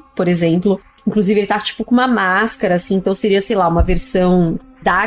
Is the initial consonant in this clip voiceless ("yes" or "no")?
yes